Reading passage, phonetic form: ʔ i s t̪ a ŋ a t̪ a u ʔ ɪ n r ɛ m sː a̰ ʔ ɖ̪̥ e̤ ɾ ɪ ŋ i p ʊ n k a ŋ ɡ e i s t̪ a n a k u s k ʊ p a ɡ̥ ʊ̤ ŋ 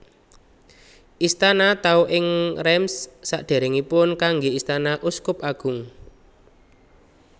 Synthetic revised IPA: ʔ i s t̪ a n a t̪ a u ʔ ɪ ŋ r ɛ m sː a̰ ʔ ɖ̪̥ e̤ ɾ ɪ ŋ i p ʊ n k a ŋ ɡ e i s t̪ a n a ʔ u s k ʊ p a ɡ̥ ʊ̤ ŋ